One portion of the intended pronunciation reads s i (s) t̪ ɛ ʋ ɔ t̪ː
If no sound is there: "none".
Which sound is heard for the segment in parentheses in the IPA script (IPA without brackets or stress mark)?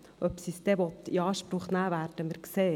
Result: s